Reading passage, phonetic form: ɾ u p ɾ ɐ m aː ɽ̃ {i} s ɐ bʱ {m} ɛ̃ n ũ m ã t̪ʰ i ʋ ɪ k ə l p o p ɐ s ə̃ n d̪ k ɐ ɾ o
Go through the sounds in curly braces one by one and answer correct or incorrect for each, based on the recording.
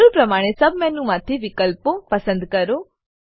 incorrect, correct

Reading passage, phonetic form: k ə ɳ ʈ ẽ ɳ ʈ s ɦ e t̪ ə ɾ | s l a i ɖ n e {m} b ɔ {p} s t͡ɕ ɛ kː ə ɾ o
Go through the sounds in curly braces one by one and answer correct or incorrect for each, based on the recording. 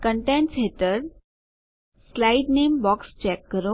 correct, incorrect

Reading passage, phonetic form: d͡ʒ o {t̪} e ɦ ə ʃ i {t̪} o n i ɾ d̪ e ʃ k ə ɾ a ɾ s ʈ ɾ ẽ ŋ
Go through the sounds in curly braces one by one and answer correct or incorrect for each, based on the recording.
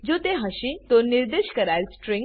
correct, correct

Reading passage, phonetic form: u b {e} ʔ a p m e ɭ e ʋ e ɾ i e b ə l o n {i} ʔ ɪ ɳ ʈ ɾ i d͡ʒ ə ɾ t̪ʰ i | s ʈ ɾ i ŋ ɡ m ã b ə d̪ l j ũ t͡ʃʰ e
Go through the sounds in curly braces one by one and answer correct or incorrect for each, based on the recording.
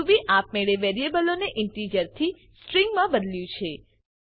incorrect, incorrect

